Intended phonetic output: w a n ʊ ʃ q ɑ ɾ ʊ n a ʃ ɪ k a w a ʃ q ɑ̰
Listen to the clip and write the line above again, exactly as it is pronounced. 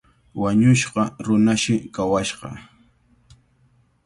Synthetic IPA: w a ɲ ʊ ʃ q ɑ ɾ ʊ n a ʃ ɪ k a w a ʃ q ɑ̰